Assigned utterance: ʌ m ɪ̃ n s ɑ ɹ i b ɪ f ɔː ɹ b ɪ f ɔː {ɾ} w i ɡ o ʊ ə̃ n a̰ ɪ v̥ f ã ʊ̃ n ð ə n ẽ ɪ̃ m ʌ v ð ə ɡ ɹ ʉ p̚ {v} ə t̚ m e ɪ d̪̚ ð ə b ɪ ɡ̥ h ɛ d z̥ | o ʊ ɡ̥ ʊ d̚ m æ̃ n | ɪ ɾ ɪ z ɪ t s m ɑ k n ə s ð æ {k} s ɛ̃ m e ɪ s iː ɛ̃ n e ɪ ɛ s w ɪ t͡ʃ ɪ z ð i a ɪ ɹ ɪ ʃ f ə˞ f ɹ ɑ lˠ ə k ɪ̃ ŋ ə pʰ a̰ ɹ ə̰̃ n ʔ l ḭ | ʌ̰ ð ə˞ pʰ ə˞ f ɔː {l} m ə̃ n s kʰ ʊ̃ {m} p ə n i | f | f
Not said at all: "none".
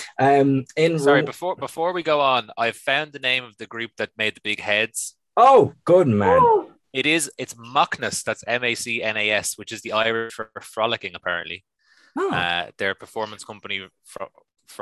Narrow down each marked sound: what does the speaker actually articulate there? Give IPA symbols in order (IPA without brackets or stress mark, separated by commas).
ɹ, ð, t, ɹ, m